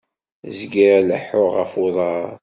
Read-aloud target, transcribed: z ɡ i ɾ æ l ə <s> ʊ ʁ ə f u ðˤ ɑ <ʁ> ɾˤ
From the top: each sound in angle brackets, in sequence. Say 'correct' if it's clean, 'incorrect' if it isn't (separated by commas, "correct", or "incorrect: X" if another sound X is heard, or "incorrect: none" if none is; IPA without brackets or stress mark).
incorrect: ħ, incorrect: none